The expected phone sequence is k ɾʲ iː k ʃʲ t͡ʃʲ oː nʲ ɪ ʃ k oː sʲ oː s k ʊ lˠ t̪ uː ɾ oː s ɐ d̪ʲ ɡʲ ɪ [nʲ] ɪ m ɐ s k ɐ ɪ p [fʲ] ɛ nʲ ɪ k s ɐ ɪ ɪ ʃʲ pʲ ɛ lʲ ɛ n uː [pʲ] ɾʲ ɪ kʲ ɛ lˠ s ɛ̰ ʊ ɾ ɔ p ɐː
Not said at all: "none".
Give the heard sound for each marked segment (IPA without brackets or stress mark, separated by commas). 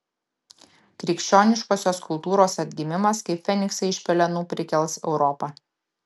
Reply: mʲ, fʲ, pʲ